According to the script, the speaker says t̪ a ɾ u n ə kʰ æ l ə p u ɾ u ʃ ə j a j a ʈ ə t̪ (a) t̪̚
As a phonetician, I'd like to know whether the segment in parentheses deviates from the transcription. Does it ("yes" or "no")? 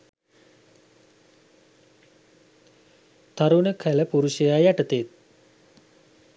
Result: yes